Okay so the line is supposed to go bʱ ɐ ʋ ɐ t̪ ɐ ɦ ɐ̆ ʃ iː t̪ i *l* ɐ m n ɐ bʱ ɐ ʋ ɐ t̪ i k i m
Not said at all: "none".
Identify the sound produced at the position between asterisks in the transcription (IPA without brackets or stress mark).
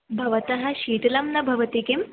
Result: l